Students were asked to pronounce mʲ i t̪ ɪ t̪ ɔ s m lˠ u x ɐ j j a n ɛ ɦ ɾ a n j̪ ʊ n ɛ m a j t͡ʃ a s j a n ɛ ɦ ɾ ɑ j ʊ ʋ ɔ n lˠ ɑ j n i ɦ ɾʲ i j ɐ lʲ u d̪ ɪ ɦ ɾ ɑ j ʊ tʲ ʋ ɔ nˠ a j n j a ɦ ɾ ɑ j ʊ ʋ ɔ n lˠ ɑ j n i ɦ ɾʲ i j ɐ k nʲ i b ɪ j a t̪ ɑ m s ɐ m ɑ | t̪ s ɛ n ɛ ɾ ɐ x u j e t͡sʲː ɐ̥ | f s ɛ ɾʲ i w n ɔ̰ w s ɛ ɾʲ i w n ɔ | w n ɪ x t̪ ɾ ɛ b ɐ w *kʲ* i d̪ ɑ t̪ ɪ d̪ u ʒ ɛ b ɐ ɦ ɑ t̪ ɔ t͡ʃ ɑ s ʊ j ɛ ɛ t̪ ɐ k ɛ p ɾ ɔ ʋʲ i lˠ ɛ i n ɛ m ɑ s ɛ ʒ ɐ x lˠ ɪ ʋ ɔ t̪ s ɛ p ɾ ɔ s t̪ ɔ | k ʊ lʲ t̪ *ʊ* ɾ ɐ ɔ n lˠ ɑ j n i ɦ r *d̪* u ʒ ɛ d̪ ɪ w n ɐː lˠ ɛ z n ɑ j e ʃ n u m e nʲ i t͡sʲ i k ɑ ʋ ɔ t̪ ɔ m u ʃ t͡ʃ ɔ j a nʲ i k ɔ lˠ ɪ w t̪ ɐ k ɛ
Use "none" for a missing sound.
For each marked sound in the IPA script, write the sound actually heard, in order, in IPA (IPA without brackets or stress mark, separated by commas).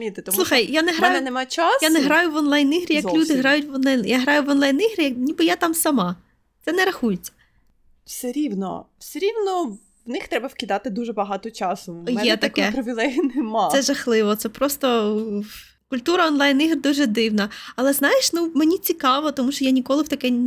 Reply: kʲ, u, d̪